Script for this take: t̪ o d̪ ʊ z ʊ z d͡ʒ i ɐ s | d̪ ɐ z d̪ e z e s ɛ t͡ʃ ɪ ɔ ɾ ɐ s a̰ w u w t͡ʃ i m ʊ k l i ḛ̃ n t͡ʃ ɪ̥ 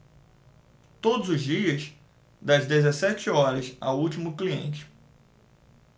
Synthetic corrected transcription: t̪ o d̪ ʊ z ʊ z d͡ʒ i ɐ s | d̪ ɐ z d̪ e z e s ɛ t͡ʃ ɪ ɔ ɾ ɐ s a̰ w u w t͡ʃ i m ʊ k l i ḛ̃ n t͡ʃ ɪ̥